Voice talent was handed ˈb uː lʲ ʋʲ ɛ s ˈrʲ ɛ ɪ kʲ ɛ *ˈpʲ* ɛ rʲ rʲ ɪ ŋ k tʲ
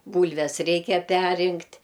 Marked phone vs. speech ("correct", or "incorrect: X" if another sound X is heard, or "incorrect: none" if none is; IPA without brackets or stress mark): correct